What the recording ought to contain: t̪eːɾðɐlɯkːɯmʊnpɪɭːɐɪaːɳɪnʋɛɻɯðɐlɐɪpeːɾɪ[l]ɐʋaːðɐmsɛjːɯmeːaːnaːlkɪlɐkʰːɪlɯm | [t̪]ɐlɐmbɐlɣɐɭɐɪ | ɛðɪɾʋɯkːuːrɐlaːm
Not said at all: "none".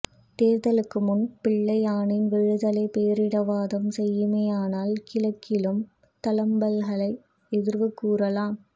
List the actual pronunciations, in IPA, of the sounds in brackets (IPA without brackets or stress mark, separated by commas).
ɽ, t̪